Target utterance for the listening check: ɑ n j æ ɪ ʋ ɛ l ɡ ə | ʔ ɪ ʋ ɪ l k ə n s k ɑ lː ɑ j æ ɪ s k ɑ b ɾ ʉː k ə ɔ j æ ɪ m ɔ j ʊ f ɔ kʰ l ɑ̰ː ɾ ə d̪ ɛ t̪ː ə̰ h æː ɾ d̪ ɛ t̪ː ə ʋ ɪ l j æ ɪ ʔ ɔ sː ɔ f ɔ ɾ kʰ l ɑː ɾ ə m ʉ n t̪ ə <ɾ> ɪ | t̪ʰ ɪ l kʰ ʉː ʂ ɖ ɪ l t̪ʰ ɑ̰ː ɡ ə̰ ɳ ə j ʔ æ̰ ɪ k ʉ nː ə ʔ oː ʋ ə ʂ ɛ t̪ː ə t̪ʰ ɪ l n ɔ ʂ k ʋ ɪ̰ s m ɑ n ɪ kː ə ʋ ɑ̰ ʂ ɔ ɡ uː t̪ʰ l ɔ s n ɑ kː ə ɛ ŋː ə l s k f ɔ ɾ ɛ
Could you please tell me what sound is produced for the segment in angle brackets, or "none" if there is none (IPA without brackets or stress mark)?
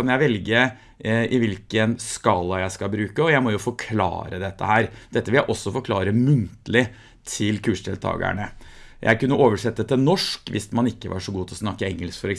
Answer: l